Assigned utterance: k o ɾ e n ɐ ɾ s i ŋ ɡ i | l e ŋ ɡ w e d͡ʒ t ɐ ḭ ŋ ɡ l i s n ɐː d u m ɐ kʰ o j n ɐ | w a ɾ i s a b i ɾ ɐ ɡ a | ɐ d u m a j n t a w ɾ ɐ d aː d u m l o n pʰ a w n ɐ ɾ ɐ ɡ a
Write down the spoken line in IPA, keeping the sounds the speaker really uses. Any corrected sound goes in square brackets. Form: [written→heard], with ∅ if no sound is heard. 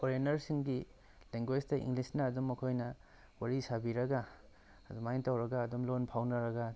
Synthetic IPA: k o ɾ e n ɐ ɾ s i ŋ ɡ i | l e ŋ ɡ w e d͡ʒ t ɐ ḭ ŋ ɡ l i s n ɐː d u m ɐ kʰ o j n ɐ | w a ɾ i s a b i ɾ ɐ ɡ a | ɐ d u m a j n t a w ɾ ɐ [d→ɡ] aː d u m l o n pʰ a w n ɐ ɾ ɐ ɡ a